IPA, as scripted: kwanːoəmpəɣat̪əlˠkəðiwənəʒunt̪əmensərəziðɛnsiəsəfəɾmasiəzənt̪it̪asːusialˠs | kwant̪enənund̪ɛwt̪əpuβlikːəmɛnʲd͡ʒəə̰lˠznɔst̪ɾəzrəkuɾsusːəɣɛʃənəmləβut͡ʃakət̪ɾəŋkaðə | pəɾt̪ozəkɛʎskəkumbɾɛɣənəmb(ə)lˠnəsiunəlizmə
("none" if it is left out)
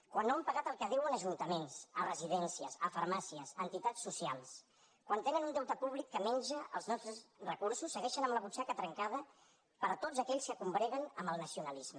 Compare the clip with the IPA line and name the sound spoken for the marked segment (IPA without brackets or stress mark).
ə